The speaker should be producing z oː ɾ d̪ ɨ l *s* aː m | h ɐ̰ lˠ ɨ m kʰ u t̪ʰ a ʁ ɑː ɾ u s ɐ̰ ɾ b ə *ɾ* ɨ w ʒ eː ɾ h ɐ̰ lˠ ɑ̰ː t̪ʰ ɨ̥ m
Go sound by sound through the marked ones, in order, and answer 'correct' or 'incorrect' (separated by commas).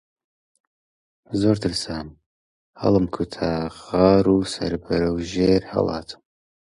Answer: correct, correct